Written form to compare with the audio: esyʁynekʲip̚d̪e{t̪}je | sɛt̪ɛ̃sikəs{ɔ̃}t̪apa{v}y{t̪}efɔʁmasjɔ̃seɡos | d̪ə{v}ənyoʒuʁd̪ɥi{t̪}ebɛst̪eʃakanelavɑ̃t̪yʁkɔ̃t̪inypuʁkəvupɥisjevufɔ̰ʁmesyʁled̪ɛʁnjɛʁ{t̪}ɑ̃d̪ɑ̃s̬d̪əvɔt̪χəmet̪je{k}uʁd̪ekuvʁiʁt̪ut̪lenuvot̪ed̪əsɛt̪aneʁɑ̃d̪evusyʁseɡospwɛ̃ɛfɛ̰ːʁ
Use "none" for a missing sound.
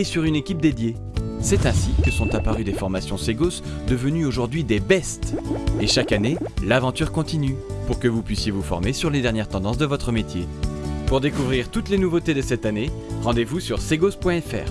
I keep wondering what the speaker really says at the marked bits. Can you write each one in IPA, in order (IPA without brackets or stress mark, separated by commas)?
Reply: d̪, ɔ̃, ʁ, d̪, v, d̪, t̪, p